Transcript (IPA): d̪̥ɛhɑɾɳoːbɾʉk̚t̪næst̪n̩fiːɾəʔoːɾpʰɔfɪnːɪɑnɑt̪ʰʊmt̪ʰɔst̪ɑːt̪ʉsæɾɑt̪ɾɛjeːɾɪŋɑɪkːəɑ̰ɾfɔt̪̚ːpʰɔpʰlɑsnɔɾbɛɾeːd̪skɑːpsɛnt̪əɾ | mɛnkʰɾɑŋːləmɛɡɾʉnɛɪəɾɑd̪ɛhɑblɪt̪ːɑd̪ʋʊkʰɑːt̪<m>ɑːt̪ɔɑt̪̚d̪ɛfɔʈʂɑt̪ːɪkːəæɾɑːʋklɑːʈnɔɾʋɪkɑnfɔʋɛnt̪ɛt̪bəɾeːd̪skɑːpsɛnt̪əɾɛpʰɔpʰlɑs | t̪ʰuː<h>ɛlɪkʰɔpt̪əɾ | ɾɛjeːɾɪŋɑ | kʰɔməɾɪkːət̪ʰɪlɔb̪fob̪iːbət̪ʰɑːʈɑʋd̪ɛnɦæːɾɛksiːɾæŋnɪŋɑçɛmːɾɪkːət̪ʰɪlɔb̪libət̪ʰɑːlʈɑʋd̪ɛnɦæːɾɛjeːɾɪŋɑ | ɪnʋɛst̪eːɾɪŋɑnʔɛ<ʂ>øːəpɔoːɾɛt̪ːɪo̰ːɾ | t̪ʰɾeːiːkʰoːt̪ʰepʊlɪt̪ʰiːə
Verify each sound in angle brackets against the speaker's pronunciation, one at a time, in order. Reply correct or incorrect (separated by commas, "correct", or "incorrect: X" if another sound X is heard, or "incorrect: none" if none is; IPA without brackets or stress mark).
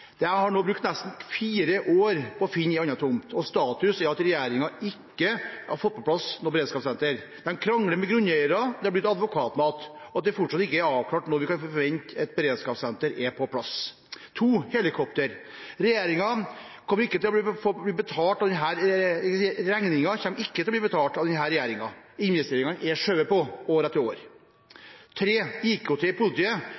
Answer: correct, correct, correct